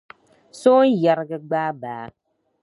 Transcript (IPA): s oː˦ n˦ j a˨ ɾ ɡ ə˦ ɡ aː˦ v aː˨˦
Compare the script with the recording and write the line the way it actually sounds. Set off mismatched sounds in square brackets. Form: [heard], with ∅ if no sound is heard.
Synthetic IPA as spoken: s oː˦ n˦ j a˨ ɾ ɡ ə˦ [ɡ͡b] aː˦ [b] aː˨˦